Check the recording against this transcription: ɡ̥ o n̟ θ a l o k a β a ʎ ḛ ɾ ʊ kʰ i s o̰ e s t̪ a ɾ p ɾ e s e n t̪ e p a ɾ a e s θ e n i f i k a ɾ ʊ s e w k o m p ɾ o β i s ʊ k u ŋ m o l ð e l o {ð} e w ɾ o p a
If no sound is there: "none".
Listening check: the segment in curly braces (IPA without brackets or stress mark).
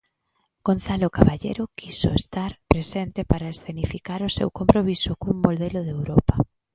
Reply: ð